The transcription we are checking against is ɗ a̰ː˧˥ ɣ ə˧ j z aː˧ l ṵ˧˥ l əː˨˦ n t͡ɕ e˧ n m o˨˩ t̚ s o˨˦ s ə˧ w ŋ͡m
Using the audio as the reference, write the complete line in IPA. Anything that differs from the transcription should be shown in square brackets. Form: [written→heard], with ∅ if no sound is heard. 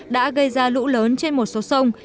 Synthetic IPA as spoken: ɗ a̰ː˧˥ ɣ ə˧ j z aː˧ l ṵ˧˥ l əː˨˦ n t͡ɕ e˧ n m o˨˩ t̚ s o˨˦ s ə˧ w ŋ͡m